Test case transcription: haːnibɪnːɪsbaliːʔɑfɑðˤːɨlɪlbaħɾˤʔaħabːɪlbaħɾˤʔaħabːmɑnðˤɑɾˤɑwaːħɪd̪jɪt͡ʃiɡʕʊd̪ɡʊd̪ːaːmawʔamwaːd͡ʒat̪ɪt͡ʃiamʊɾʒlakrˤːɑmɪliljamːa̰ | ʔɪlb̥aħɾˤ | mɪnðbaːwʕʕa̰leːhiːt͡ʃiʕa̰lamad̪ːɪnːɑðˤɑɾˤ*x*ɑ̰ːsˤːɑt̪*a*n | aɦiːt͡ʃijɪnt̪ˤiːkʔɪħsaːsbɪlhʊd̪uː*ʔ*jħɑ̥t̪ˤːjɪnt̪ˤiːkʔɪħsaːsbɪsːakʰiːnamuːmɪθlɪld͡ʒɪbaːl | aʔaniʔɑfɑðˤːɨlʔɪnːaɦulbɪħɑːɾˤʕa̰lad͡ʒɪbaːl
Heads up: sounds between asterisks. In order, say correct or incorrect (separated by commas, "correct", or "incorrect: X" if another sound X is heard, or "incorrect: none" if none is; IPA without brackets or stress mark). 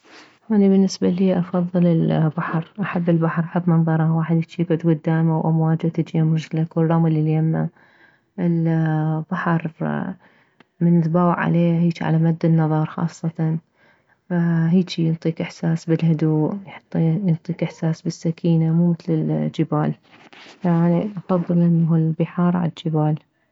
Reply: correct, incorrect: ɑ, correct